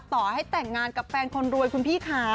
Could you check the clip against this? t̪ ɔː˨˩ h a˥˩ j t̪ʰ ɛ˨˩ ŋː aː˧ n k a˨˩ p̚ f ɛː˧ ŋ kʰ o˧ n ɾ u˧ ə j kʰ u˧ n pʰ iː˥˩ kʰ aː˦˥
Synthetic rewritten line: t̪ ɔː˨˩ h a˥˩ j t̪ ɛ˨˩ ŋː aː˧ n k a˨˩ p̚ f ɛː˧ n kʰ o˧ n ɾ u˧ ə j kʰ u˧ n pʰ iː˥˩ kʰ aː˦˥